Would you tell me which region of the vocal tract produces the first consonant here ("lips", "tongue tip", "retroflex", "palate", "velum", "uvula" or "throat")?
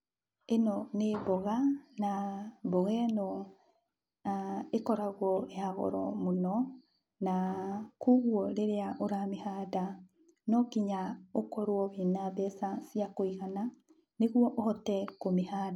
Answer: tongue tip